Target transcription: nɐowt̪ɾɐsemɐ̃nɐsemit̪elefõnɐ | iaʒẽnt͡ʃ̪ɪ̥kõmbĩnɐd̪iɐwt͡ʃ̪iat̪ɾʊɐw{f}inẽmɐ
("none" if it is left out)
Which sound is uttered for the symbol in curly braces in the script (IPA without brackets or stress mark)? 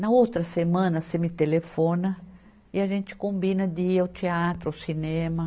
s